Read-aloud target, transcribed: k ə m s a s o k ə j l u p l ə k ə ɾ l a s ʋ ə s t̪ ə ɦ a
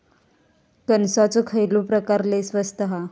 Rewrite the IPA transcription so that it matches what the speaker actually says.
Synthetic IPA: k ə n s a t͡s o kʰ ə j l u p ɾ ə k a ɾ l e s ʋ ə s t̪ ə ɦ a